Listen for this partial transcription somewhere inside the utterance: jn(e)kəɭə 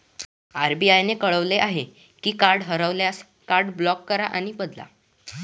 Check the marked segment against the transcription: correct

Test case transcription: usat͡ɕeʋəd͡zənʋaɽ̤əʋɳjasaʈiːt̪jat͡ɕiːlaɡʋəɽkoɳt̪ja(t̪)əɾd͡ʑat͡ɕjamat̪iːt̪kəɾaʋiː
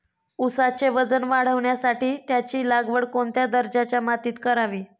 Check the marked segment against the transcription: incorrect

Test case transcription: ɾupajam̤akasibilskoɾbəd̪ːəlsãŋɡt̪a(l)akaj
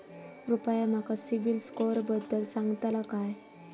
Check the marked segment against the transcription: correct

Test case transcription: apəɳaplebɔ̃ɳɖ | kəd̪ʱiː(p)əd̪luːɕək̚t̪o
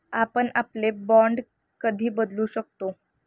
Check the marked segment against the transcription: incorrect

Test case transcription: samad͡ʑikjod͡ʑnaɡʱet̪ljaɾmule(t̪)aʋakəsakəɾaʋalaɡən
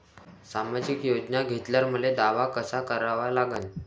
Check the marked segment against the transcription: incorrect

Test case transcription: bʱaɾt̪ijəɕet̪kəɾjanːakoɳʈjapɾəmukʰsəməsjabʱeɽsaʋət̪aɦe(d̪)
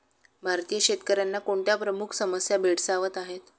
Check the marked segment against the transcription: incorrect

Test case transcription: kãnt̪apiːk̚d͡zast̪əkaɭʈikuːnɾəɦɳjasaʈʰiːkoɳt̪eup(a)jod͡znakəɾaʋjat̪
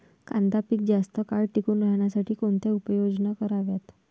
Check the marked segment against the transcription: incorrect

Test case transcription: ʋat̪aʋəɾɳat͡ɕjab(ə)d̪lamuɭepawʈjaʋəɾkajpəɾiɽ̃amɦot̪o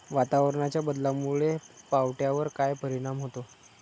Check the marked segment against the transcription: correct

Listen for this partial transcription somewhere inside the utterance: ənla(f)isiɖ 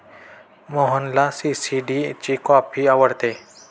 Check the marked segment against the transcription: incorrect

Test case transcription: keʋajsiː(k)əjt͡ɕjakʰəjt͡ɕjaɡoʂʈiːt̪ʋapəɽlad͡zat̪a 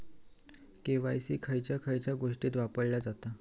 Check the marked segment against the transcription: incorrect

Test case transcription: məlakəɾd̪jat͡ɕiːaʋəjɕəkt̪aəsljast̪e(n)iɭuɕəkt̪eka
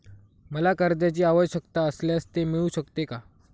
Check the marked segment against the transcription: incorrect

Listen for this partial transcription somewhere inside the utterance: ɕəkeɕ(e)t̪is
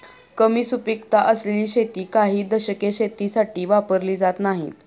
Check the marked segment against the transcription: correct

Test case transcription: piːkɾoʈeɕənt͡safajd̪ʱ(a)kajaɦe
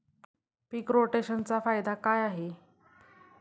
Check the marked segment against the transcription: correct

